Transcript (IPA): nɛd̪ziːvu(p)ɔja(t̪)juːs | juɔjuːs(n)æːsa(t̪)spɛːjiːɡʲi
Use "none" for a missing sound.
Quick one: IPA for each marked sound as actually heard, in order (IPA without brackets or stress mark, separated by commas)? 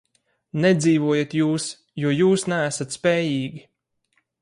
none, t̪, n, t̪